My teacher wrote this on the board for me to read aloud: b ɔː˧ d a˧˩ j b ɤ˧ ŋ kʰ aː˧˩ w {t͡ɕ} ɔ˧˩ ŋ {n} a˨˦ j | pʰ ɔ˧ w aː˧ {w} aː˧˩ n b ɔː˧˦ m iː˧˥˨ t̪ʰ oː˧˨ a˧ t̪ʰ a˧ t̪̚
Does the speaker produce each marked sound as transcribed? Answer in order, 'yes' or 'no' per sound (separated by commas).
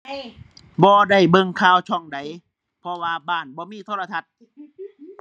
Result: no, no, no